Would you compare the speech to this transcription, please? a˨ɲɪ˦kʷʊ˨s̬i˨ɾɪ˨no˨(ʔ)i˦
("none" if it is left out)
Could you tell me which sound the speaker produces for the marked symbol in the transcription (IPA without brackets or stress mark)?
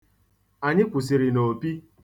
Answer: p